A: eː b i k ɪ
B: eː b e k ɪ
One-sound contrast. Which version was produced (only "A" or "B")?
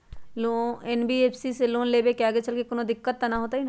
B